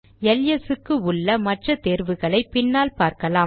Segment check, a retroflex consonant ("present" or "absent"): present